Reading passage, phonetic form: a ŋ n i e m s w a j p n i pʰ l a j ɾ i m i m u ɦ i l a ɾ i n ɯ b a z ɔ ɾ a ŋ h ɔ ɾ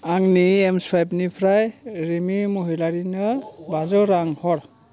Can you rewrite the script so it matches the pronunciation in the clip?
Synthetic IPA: a ŋ n i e m s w a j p n i pʰ ɾ a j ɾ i m i m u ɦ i l a ɾ i n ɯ b a z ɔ ɾ a ŋ h ɔ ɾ